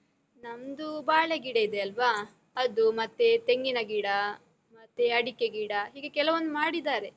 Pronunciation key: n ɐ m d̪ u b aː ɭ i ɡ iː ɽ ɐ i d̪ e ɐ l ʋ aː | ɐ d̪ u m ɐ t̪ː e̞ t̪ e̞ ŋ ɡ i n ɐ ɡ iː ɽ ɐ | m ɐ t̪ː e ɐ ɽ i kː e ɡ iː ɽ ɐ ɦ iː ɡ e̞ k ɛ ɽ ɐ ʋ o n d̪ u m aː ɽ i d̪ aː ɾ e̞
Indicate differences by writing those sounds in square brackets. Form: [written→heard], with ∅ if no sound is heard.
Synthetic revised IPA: n ɐ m d̪ u b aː ɭ [i→e] ɡ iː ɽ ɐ i d̪ e ɐ l ʋ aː | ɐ d̪ u m ɐ t̪ː e̞ t̪ e̞ ŋ ɡ i n ɐ ɡ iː ɽ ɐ | m ɐ t̪ː e ɐ ɽ i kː e ɡ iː ɽ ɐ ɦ iː ɡ e̞ k ɛ [ɽ→l] ɐ ʋ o n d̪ u m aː ɽ i d̪ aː ɾ e̞